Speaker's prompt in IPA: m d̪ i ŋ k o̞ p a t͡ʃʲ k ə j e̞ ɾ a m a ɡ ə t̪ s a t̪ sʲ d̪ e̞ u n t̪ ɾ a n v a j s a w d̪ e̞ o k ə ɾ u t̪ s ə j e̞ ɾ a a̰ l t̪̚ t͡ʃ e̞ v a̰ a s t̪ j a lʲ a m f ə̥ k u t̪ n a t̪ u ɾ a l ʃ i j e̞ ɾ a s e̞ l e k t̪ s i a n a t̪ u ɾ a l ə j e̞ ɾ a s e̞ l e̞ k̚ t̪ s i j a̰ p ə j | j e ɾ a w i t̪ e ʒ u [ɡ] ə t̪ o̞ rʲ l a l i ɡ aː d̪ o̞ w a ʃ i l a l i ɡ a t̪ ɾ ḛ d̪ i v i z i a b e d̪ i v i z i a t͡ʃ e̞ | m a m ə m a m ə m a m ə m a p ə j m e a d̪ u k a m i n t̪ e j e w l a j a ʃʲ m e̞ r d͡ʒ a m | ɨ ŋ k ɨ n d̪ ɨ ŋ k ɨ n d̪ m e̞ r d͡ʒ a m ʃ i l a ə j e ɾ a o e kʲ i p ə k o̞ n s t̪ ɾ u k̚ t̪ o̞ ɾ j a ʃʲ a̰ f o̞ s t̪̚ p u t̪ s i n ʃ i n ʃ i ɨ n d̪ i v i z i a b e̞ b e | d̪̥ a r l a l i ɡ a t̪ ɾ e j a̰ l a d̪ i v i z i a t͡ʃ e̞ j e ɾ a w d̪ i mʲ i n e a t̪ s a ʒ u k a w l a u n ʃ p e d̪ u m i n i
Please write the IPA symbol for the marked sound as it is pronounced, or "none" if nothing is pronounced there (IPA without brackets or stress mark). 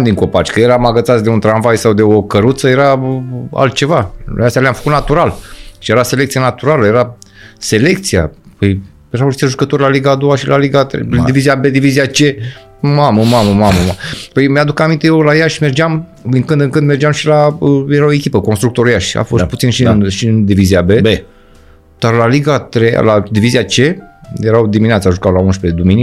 k